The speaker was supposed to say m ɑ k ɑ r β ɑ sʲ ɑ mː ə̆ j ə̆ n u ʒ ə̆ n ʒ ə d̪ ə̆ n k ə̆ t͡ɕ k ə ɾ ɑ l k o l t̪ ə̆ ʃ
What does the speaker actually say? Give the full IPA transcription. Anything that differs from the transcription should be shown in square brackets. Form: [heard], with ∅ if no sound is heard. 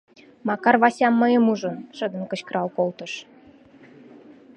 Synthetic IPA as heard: m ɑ k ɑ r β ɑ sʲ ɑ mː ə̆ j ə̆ [m] u ʒ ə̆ n [ʃ] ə d̪ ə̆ n k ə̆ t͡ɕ k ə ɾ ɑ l k o l t̪ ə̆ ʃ